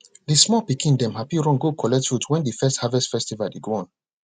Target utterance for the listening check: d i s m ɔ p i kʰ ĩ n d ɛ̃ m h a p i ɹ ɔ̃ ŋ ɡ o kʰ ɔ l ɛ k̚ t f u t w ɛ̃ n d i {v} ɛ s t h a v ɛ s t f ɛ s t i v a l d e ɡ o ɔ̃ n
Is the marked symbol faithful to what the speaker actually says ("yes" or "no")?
no